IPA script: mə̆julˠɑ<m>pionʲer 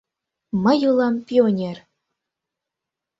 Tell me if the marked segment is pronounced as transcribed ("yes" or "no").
yes